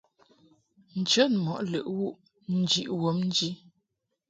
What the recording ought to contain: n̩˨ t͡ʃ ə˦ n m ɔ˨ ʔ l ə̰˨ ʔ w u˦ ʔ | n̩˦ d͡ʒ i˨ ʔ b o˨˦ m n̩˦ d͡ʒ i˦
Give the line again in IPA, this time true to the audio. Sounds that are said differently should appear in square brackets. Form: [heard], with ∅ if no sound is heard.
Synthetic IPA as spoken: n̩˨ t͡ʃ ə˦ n m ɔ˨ ʔ l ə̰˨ ʔ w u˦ ʔ | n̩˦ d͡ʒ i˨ ʔ [w] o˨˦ m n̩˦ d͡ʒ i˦